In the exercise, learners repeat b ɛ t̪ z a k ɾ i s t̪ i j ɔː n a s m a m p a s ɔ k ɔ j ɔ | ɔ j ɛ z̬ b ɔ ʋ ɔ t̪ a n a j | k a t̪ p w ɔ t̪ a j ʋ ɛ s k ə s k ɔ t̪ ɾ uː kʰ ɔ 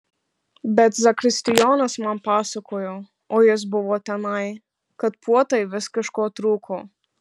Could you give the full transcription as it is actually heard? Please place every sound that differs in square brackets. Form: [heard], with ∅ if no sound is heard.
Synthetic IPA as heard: b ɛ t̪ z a k ɾ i s t̪ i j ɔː n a s m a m p a s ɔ k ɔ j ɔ | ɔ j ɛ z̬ b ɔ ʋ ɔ t̪ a n a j | k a t̪ p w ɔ t̪ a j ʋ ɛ s k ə [ʃ] k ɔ t̪ ɾ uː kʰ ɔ